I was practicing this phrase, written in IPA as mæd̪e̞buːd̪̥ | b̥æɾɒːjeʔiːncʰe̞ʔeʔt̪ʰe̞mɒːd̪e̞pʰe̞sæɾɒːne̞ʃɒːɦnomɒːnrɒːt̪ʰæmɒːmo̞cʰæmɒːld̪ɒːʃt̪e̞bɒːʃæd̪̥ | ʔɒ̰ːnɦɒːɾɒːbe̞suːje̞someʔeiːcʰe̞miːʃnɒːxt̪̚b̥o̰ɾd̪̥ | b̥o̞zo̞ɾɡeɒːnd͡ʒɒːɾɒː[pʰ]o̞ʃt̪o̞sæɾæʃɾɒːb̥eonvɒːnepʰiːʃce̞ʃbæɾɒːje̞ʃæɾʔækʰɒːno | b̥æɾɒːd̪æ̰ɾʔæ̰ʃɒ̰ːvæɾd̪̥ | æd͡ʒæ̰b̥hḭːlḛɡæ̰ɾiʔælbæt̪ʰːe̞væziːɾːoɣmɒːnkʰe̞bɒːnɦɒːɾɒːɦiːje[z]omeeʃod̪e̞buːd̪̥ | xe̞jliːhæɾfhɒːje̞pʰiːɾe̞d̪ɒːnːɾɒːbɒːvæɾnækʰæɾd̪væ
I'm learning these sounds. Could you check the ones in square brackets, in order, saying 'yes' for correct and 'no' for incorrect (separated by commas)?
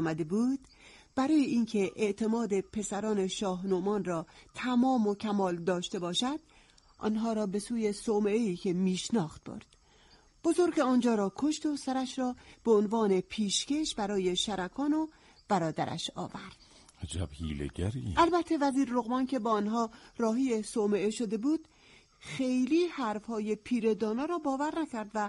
no, no